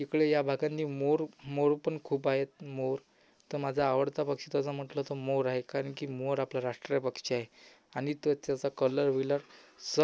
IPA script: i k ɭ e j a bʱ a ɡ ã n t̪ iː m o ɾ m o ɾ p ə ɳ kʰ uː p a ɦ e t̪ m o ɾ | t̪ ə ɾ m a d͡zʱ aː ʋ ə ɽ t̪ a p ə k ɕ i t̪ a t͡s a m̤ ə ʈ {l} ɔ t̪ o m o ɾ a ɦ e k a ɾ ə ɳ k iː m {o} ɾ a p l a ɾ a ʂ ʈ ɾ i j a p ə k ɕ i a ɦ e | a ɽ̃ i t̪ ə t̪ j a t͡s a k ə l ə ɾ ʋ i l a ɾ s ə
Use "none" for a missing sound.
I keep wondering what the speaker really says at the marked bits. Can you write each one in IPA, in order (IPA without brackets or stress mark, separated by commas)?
l, o